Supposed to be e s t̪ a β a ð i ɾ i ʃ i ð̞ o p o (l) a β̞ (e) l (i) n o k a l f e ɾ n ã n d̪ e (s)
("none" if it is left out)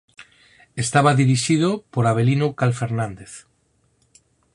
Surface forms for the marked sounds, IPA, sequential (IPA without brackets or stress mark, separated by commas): ɾ, e, i, θ